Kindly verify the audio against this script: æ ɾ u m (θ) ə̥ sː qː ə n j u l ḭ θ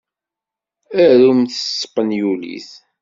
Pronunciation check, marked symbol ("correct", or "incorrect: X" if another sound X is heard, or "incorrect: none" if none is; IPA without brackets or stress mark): correct